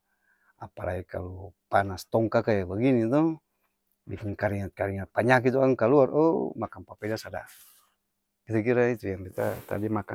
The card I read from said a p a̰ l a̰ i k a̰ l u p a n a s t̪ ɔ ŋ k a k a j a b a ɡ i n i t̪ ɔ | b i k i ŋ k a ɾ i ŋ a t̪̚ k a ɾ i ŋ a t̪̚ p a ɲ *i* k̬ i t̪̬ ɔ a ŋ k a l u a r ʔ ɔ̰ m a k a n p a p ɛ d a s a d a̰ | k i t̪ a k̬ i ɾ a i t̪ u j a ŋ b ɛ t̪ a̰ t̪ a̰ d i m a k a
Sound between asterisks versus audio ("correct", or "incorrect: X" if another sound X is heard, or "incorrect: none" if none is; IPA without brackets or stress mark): incorrect: a